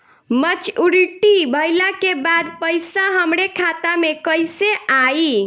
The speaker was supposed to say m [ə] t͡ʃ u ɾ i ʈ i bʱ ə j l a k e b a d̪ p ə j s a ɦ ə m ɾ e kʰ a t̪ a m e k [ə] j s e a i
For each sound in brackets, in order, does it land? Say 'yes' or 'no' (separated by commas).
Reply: yes, yes